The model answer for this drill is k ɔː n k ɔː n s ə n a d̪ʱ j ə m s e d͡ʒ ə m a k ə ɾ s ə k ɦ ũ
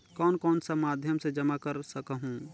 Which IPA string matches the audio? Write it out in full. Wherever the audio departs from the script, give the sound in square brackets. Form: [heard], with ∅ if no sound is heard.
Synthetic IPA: k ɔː n k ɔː n s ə [m] a d̪ʱ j ə m s e d͡ʒ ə m a k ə ɾ s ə k ɦ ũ

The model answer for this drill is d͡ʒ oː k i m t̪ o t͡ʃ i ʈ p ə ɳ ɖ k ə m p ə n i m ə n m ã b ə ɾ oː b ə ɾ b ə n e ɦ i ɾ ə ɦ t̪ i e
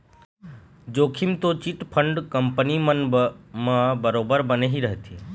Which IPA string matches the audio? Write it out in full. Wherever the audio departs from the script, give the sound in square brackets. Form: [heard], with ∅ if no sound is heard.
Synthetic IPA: d͡ʒ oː [kʰ] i m t̪ o t͡ʃ i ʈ [pʰ] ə ɳ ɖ k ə m p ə n i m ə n m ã b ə ɾ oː b ə ɾ b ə n e ɦ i ɾ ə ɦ t̪ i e

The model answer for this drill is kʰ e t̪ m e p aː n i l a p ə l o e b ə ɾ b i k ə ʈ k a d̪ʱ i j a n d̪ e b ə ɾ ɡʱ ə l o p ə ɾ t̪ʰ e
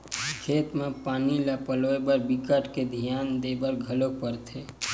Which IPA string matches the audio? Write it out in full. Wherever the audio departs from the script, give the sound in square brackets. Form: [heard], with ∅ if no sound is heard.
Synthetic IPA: kʰ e t̪ m e p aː n i l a p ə l o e b ə ɾ b i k ə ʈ k [e] d̪ʱ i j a n d̪ e b ə ɾ ɡʱ ə l o p ə ɾ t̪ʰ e

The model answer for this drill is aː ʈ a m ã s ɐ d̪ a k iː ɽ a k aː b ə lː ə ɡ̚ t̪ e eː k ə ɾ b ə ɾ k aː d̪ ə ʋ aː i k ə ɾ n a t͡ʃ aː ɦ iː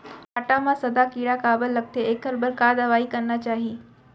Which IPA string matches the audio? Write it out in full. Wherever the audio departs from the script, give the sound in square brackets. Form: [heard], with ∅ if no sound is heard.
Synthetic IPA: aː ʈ a m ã s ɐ d̪ a k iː ɽ a k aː b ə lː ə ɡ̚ t̪ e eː k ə ɾ b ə ɾ k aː d̪ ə ʋ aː i k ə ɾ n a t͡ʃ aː ɦ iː

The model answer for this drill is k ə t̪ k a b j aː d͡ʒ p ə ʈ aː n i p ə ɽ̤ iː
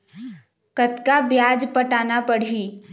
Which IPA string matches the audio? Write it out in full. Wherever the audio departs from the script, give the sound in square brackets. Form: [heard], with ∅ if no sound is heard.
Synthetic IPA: k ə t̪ k a b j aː d͡ʒ p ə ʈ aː n [a] p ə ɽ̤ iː

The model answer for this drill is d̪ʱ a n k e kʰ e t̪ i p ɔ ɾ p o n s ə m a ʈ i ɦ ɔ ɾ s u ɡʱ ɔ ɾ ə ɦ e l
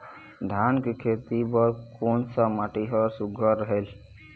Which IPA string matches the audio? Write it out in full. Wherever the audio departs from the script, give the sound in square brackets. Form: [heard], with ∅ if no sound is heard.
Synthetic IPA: d̪ʱ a n k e kʰ e t̪ i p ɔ ɾ [k] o n s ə m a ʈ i ɦ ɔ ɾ s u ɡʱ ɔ ɾ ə ɦ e l

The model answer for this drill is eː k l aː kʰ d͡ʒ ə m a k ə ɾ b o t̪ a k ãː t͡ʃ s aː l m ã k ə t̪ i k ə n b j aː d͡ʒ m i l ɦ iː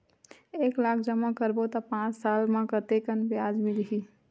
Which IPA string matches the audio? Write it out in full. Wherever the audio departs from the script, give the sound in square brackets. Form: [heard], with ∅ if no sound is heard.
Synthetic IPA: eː k l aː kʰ d͡ʒ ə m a k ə ɾ b o t̪ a [p] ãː t͡ʃ s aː l m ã k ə t̪ [e] k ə n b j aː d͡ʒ m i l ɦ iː

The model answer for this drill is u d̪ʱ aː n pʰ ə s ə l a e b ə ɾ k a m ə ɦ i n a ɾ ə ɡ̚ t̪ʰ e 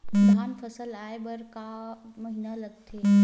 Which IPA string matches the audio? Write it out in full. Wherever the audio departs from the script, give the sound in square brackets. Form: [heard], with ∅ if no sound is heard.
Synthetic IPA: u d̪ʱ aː n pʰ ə s ə l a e b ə ɾ k a m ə ɦ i n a [l] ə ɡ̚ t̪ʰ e

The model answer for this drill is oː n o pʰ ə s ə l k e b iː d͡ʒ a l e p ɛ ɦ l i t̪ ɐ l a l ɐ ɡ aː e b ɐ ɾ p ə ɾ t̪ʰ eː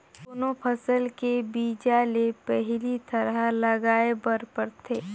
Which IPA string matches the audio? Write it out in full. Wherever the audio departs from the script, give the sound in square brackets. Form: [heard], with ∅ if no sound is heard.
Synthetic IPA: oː n o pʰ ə s ə l k e b iː d͡ʒ a l e p ɛ ɦ l i t̪ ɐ [ɾ] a l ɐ ɡ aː e b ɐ ɾ p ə ɾ t̪ʰ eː

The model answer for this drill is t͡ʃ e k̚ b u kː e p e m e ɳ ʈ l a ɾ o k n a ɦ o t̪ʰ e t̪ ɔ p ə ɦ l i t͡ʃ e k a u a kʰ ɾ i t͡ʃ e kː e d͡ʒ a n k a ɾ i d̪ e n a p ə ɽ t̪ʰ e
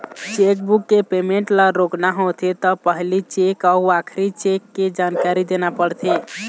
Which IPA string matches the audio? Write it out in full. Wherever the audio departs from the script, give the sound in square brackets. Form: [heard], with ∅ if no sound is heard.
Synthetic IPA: t͡ʃ e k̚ b u kː e p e m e ɳ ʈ l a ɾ o k n a ɦ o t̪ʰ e t̪ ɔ p ə ɦ l i t͡ʃ e k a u a kʰ ɾ i t͡ʃ e kː e d͡ʒ a n k a ɾ i d̪ e n a p ə ɽ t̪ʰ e

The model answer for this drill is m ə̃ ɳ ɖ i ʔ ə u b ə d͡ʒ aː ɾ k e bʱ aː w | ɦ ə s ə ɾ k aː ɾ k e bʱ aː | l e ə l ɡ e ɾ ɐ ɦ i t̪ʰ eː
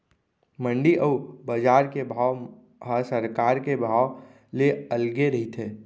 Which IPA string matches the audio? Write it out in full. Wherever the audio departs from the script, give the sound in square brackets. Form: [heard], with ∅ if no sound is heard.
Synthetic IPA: m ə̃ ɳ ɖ i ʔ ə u b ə d͡ʒ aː ɾ k e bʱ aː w | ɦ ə s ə ɾ k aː ɾ k e bʱ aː | l e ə l ɡ e ɾ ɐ ɦ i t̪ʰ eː

